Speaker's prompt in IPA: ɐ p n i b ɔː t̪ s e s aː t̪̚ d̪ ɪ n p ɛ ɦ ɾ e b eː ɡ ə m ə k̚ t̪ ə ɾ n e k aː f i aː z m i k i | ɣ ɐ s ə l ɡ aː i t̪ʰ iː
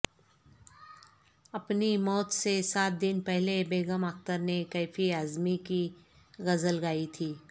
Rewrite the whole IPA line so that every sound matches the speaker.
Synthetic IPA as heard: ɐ p n i m ɔː t̪ s e s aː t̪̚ d̪ ɪ n p ɛ ɦ l e b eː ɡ ə m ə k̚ t̪ ə ɾ n e k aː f i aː z m i k i | ɣ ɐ z ə l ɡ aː i t̪ʰ iː